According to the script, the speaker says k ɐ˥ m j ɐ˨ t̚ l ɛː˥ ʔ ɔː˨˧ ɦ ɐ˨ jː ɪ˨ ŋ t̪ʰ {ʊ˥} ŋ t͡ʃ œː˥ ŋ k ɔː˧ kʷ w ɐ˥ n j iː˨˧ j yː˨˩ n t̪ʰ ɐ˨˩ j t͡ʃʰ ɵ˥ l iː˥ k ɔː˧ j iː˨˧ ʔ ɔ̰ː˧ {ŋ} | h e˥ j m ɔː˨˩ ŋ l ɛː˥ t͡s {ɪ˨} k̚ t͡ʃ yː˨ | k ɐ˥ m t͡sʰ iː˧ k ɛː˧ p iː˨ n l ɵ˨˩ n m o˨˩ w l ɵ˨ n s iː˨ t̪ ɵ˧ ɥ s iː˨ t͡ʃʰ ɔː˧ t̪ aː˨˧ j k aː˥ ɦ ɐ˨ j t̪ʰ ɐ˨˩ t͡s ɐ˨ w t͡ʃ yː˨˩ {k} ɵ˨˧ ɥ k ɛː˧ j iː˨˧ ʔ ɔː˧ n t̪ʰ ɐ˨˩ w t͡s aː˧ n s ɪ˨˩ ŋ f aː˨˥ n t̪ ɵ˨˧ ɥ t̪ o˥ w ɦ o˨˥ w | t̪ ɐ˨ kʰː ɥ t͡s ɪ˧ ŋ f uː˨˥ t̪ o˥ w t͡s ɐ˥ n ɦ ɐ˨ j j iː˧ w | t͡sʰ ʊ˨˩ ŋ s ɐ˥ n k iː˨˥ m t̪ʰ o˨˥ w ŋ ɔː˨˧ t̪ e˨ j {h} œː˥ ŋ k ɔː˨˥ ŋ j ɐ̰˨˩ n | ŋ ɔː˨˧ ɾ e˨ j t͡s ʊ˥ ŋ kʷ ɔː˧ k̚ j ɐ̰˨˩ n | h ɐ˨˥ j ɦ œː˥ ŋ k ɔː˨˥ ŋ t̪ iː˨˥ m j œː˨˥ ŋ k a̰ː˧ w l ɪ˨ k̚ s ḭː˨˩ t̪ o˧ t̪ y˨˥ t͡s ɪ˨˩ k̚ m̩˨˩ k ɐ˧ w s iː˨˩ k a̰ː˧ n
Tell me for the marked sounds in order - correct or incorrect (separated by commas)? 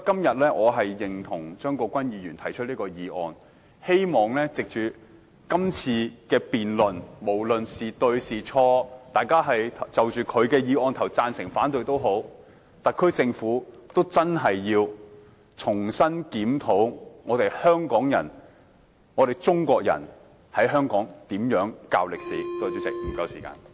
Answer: incorrect, incorrect, correct, incorrect, correct